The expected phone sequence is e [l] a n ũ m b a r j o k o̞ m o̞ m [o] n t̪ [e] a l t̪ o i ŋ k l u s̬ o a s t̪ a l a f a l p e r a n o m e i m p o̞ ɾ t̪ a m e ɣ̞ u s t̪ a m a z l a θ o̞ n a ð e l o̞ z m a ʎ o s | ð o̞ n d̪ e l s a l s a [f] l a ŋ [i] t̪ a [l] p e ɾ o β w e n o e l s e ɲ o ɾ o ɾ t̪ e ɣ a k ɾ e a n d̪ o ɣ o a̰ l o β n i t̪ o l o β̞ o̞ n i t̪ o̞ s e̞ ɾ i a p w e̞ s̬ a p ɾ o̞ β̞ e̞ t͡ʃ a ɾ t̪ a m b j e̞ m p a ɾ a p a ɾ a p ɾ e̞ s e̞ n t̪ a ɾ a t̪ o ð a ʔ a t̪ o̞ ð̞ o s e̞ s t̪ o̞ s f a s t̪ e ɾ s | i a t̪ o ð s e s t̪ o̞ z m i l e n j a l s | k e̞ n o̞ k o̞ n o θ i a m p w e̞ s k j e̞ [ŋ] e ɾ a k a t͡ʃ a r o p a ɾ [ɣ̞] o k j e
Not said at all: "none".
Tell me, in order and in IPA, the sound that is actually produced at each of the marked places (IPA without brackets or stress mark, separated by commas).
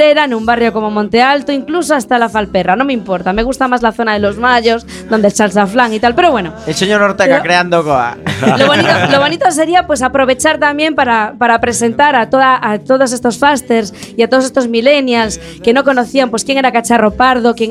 ɾ, õ, e, f, i, l, ŋ, ð̞